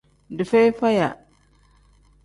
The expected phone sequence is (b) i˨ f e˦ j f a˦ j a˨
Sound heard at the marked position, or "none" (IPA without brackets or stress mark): d